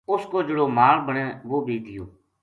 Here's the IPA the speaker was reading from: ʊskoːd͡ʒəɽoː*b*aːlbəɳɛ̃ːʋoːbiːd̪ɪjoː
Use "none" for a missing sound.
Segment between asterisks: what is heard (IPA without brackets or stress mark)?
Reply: m